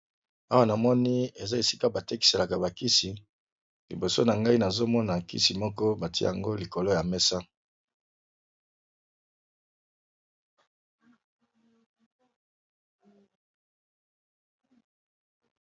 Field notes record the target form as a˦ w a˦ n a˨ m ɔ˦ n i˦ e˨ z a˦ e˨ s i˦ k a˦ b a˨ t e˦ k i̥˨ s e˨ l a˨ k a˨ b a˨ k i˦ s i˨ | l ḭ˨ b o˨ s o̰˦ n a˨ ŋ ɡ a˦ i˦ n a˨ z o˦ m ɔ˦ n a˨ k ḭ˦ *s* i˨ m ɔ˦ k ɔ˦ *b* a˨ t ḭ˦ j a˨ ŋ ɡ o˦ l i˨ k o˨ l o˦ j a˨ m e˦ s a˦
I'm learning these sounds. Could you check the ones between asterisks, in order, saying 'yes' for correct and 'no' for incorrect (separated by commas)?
yes, yes